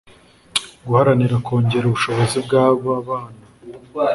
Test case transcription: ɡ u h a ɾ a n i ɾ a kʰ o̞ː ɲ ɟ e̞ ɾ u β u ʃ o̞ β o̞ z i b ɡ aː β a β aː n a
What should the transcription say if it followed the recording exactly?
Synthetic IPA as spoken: ɡ u h a ɾ a n i ɾ a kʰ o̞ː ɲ ɟ e̞ ɾ u β u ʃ o̞ β o̞ z i b ɡ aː β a β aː n a